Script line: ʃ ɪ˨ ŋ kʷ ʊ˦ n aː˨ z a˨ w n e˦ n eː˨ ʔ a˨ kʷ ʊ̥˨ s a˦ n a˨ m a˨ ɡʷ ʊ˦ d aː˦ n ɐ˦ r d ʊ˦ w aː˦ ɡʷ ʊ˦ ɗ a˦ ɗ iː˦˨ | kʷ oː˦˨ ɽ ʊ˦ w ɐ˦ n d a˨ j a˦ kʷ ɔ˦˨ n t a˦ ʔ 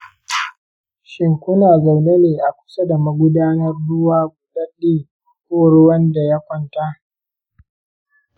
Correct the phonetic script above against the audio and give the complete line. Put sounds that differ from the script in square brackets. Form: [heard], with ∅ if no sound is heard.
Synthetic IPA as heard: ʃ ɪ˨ ŋ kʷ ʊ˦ n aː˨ z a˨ w n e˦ n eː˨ ʔ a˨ kʷ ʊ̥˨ s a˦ [d] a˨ m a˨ ɡʷ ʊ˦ d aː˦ n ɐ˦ r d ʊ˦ w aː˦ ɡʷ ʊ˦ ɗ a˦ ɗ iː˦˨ | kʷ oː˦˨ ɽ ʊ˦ w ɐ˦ n d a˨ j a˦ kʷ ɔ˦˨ n t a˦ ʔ